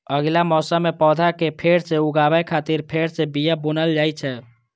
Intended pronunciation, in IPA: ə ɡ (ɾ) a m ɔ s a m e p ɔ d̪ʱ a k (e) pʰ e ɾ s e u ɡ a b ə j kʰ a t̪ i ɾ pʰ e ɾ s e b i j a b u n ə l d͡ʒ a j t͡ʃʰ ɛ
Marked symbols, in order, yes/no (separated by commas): no, yes